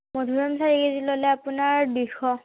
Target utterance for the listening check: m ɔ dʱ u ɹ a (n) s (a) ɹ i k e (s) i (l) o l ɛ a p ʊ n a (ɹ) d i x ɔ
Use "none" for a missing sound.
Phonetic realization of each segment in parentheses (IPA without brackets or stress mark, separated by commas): m, a, z, l, ɹ